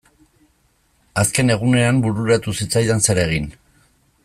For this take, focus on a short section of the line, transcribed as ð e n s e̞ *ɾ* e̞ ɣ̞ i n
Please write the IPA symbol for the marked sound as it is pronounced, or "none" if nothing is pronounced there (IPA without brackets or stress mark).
ɾ